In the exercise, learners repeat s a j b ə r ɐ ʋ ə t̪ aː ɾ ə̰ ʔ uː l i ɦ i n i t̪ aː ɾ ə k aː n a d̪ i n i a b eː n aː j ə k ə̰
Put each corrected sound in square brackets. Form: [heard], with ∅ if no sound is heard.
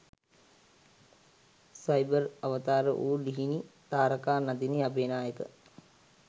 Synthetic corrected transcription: s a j b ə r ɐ ʋ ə t̪ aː ɾ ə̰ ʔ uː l i ɦ i n i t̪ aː ɾ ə k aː n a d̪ i n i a b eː n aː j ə k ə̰